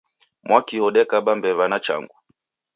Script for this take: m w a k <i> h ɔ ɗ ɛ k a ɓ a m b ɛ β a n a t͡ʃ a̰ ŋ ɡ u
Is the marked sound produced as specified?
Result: yes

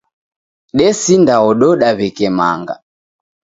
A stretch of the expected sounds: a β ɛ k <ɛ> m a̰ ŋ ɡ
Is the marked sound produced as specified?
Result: yes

